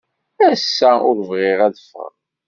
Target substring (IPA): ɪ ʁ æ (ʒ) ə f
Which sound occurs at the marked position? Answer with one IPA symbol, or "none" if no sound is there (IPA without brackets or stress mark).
ð